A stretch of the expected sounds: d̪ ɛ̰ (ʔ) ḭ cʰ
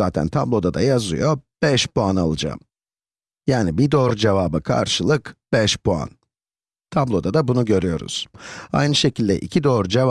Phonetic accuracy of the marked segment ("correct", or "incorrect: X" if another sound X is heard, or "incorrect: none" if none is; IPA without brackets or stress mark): correct